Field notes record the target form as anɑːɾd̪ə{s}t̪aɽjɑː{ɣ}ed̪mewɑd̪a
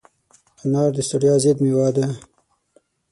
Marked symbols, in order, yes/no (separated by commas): yes, no